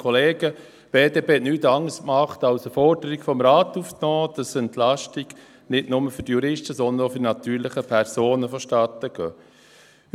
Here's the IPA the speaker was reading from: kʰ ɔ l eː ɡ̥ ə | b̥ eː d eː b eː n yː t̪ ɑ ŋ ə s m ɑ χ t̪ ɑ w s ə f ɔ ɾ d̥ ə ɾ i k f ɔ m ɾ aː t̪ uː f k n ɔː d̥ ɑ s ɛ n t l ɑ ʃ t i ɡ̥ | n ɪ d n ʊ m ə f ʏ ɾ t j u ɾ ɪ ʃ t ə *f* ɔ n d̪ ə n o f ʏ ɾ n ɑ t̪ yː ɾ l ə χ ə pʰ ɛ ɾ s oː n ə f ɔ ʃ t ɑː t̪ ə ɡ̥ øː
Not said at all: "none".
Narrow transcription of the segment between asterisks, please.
s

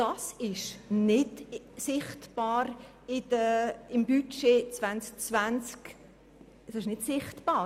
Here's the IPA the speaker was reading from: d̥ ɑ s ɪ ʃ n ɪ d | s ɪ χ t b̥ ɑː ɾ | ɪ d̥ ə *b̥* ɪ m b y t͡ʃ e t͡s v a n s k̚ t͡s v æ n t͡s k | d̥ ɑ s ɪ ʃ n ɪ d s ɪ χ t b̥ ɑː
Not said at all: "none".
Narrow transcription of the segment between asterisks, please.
none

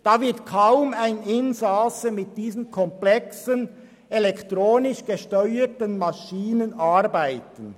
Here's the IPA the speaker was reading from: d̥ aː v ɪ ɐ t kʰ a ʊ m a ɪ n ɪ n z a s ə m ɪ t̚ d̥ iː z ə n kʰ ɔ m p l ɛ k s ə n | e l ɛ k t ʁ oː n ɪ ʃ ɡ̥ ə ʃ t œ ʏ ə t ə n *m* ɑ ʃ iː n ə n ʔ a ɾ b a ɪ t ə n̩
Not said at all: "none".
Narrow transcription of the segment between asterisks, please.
m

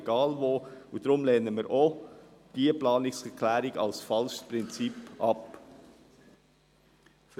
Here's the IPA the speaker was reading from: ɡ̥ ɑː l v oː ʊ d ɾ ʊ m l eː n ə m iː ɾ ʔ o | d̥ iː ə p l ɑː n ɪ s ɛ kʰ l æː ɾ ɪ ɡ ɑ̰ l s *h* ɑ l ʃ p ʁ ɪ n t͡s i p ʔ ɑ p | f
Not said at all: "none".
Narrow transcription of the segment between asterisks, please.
f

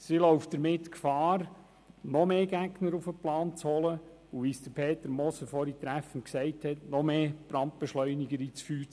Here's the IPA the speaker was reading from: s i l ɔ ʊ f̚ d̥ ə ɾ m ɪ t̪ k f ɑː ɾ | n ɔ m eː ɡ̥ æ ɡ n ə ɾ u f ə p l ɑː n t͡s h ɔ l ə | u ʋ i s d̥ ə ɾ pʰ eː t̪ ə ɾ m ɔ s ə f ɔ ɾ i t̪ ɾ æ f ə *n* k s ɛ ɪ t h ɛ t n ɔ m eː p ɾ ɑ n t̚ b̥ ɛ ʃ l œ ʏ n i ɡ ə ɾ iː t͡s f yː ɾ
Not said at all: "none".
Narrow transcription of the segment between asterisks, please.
n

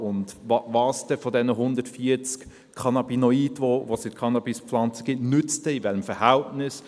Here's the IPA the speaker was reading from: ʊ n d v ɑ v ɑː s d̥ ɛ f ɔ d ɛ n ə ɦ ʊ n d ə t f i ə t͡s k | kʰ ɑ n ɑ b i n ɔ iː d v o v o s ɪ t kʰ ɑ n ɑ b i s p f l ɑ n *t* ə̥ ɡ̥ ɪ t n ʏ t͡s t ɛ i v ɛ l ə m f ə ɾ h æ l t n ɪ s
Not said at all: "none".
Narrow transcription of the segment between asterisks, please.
t͡s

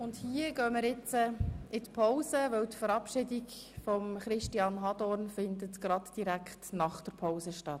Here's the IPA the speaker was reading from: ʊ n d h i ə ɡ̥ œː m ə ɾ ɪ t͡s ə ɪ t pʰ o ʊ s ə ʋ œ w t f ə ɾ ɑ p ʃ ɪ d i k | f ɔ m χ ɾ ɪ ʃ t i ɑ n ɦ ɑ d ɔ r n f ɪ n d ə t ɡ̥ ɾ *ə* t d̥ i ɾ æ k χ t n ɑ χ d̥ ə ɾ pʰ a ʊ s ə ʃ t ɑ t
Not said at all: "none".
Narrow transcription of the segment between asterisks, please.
ɑ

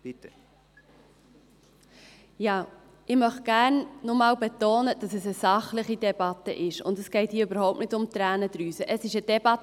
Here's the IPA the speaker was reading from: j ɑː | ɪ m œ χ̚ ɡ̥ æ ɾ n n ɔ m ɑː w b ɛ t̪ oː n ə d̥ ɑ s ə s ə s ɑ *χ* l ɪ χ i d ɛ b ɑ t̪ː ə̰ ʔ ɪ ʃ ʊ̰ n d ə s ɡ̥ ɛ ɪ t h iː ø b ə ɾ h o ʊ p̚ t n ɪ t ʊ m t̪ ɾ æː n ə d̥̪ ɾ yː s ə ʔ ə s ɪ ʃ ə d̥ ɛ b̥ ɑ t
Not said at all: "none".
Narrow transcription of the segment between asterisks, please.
χ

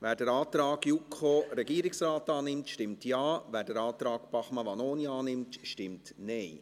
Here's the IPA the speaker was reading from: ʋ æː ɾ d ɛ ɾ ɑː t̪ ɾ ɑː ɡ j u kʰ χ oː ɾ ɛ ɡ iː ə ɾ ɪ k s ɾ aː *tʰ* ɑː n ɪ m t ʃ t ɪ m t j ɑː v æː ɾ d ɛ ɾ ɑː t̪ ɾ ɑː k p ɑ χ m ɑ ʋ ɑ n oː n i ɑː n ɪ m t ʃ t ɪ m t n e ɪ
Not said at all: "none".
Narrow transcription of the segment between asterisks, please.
t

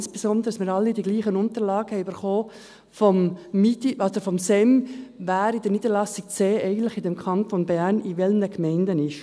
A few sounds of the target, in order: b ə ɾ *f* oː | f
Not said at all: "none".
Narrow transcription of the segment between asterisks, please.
χ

